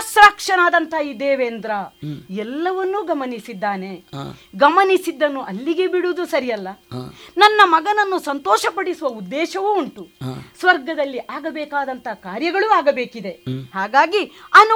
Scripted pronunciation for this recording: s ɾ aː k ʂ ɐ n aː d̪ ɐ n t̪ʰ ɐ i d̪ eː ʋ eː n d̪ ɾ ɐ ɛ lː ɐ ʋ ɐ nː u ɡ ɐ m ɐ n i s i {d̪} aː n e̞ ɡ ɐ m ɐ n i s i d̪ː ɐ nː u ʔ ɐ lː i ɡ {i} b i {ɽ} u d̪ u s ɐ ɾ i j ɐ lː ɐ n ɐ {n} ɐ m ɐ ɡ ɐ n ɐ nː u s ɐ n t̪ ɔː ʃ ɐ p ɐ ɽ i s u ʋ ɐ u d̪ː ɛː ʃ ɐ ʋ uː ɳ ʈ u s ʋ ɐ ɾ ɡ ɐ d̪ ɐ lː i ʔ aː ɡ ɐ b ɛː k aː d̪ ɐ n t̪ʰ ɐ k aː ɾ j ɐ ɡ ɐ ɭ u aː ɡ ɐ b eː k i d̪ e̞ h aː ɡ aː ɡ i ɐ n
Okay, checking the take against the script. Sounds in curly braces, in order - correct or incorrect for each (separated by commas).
incorrect, incorrect, correct, incorrect